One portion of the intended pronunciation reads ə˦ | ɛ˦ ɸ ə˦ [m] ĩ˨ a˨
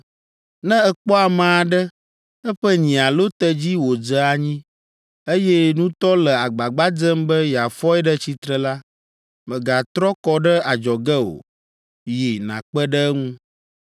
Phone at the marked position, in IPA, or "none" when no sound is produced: ɲ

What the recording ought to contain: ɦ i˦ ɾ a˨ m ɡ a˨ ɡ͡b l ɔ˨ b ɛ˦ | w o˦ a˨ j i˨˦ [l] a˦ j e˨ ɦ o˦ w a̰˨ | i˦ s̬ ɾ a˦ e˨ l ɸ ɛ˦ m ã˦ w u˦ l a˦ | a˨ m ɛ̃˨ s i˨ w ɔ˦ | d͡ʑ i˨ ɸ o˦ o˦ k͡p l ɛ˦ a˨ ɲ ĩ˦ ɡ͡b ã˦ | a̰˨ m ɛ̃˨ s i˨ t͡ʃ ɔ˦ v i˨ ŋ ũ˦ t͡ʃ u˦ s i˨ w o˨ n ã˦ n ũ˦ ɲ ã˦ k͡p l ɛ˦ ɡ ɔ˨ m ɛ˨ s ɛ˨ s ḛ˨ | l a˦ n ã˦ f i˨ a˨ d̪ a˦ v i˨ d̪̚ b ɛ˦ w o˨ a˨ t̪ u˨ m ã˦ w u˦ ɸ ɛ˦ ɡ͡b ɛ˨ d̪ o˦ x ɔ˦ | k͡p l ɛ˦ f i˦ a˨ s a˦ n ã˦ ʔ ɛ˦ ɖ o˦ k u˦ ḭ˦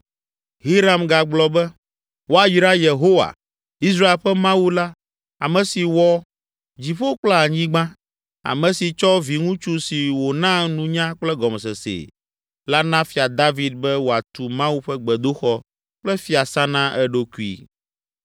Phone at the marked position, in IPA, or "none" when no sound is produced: ɾ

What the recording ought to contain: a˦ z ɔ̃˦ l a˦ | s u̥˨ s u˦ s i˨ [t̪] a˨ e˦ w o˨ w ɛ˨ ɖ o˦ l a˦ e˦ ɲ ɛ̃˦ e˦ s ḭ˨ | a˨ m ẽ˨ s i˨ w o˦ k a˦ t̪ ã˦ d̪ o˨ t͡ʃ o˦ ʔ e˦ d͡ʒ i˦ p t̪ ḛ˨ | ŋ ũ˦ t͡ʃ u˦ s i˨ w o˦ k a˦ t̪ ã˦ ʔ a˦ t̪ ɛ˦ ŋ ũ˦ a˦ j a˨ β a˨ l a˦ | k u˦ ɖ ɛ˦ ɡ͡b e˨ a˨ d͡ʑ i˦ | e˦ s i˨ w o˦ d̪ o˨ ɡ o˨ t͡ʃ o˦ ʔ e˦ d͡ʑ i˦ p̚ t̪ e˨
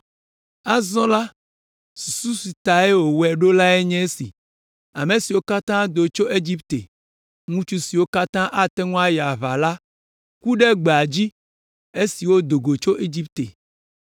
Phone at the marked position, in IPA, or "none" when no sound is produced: t̪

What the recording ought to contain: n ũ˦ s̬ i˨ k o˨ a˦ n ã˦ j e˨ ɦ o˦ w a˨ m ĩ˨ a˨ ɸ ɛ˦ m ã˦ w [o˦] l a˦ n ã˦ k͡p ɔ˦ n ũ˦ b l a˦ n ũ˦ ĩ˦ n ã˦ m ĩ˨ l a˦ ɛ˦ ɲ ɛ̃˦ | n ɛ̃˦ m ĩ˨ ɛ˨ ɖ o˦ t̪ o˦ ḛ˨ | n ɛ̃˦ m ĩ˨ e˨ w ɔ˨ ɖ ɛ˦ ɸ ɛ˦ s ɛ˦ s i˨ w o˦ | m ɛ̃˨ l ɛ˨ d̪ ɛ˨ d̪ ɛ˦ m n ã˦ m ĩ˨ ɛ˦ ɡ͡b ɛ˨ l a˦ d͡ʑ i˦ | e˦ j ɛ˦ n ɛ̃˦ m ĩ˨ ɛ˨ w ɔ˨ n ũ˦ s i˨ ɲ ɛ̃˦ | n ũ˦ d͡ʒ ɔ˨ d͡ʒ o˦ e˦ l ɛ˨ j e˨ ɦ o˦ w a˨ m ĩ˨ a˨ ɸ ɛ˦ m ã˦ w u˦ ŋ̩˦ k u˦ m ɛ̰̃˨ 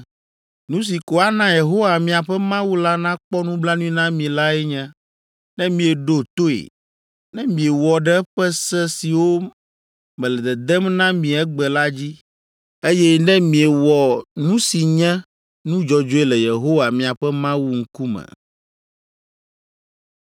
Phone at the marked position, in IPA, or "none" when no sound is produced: u˦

